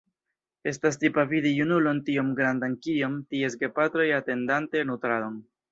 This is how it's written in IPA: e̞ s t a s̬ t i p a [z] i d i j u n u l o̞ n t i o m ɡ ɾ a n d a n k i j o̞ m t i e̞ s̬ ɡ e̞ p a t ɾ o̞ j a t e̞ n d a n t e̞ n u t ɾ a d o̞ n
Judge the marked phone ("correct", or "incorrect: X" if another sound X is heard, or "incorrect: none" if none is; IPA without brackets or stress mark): incorrect: v